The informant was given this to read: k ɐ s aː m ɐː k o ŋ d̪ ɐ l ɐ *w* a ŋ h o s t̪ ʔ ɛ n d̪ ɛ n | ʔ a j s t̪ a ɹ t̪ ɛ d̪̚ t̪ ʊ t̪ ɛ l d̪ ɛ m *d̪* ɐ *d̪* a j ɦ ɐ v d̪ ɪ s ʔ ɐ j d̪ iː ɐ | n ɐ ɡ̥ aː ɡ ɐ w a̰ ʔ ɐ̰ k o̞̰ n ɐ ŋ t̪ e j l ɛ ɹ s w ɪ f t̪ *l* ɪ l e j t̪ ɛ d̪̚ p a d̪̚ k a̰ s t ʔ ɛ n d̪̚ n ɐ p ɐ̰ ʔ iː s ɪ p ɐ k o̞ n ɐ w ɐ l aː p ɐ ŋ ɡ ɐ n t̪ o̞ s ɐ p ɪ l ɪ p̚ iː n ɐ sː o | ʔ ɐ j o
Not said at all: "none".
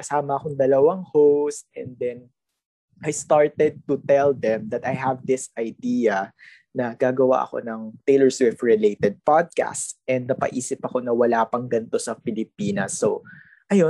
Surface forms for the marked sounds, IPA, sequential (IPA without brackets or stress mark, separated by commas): w, d̪, t̪, ɹ